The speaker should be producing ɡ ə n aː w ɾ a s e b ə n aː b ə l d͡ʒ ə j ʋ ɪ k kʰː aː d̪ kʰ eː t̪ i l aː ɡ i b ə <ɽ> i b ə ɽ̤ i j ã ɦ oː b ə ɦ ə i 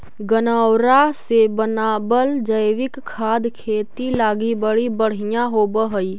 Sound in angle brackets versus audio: correct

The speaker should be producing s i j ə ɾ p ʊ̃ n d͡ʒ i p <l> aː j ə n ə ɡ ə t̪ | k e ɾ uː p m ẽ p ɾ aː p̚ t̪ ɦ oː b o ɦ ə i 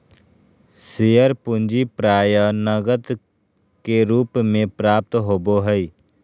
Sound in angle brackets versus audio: incorrect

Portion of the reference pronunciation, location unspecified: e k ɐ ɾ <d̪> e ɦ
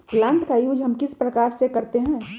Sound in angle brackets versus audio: incorrect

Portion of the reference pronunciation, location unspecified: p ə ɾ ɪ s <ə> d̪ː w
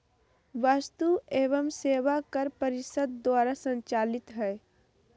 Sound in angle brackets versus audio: correct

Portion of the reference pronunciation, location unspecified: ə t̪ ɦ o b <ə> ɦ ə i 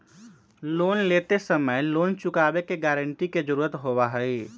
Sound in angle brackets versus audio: incorrect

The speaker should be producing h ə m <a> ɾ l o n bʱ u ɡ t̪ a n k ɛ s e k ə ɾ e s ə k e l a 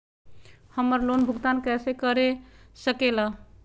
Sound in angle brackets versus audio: incorrect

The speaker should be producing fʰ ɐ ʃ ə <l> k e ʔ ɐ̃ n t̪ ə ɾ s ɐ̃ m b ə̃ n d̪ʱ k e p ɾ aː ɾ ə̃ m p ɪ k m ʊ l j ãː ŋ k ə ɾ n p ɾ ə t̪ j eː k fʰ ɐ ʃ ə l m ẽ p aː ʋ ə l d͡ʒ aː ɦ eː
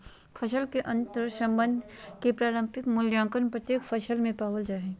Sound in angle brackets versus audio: correct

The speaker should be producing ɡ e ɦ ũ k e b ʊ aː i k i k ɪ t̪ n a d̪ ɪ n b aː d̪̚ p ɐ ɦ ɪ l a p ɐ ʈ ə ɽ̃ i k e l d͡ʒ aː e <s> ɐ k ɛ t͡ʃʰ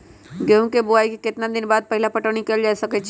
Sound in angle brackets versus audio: correct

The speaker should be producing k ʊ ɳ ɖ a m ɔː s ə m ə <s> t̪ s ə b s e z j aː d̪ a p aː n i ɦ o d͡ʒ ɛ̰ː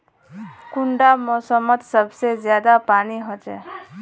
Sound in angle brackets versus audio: incorrect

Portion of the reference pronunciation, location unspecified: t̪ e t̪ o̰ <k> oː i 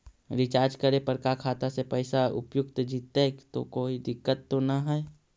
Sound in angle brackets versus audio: correct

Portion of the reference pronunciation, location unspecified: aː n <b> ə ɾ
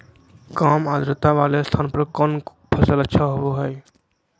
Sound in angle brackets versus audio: incorrect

